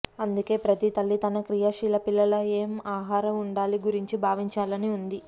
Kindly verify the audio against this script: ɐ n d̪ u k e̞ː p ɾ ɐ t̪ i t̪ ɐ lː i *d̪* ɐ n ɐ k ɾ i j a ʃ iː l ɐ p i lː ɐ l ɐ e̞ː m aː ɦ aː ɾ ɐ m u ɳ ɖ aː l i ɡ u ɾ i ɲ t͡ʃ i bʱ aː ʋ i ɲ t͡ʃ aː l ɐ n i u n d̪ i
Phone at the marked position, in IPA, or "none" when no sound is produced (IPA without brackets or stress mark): t̪